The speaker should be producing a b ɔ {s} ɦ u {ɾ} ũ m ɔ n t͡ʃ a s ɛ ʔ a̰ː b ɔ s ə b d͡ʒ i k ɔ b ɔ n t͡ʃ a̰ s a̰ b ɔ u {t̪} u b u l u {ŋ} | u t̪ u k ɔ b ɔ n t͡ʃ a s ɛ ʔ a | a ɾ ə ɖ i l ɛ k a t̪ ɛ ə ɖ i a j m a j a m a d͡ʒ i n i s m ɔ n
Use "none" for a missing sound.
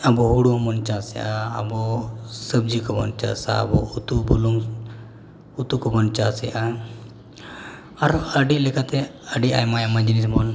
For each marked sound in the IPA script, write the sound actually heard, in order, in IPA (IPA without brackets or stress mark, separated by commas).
none, ɽ, t̪, ŋ